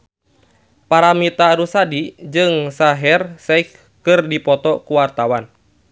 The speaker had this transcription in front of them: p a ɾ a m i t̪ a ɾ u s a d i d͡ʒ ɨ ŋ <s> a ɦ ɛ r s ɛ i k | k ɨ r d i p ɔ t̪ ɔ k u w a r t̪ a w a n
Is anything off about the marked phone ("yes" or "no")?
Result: no